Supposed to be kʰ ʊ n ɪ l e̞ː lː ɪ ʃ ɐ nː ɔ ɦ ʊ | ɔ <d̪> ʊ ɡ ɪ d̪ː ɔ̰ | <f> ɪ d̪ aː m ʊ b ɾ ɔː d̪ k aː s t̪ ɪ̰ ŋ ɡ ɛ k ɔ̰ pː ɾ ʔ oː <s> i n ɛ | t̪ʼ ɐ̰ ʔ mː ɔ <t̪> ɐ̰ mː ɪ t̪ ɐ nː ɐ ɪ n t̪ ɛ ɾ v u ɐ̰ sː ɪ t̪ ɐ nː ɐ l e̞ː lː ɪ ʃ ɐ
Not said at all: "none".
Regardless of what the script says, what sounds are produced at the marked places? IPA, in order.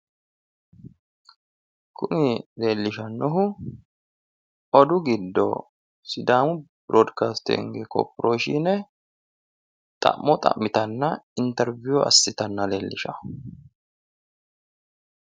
d̪, s, ʃ, t̪ʼ

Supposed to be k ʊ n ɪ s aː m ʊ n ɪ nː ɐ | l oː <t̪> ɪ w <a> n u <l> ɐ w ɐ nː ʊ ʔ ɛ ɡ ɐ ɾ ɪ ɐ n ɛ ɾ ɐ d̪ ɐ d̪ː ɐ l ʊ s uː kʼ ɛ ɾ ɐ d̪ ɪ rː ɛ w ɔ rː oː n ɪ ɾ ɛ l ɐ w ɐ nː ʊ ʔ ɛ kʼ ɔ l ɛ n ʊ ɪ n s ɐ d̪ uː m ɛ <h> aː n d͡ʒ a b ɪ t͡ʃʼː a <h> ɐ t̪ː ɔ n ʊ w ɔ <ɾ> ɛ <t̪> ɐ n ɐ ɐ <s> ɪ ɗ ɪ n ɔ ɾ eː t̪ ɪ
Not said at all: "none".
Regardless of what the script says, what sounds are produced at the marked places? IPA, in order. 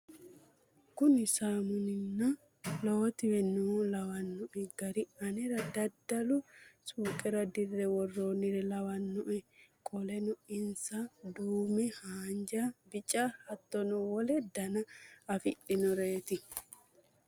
t̪, ɛ, l, h, h, l, d̪, f

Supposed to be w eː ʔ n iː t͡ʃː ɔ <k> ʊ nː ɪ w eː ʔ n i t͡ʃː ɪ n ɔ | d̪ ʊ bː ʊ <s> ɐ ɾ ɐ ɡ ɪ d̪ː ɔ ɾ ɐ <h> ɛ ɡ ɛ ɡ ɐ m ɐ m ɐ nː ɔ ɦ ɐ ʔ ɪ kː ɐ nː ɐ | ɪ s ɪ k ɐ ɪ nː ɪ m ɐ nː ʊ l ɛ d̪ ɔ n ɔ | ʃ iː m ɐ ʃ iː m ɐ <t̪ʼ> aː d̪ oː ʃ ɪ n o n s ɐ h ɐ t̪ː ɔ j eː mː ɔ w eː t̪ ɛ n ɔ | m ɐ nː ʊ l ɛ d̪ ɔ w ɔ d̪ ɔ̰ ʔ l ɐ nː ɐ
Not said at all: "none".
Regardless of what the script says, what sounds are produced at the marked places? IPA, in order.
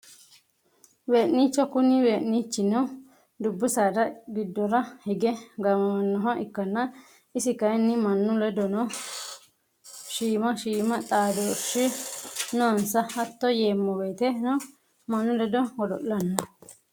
k, s, h, t̪ʼ

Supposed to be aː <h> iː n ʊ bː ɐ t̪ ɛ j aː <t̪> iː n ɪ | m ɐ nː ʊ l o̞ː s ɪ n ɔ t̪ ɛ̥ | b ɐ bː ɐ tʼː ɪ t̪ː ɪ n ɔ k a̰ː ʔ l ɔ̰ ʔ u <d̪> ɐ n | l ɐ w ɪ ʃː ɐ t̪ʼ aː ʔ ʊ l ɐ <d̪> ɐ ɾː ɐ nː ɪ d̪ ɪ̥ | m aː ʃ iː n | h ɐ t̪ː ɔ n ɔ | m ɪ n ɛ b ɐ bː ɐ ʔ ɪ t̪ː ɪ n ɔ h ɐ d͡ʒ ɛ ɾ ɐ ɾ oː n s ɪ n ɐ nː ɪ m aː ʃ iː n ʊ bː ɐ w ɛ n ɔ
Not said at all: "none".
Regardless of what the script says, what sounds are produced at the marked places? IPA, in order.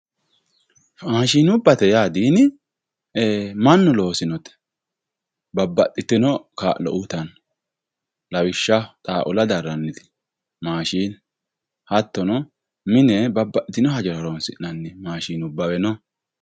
ʃ, d̪, t̪, d̪

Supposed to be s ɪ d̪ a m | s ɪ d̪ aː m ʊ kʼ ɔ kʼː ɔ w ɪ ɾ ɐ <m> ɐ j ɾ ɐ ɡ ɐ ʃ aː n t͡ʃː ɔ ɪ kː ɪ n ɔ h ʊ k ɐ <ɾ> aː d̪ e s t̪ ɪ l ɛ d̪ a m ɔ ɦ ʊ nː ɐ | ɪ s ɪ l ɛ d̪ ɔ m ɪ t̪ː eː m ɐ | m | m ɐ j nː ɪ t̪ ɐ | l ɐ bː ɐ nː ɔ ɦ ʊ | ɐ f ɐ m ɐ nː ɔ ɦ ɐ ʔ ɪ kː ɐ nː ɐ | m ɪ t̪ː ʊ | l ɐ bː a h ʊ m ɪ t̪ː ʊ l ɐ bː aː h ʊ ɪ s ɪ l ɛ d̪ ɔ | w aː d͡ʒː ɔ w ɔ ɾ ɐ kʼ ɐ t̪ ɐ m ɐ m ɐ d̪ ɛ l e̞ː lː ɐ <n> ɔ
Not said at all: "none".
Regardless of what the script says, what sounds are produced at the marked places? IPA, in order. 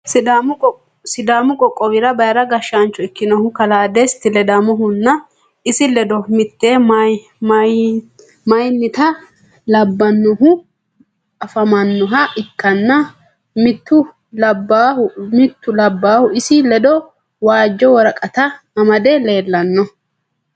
b, l, nː

